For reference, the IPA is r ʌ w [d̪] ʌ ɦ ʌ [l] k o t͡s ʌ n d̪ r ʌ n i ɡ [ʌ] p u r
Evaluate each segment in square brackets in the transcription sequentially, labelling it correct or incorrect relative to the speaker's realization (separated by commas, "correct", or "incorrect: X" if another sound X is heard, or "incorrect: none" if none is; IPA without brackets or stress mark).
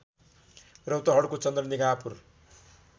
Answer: incorrect: t̪, incorrect: ɽ, incorrect: a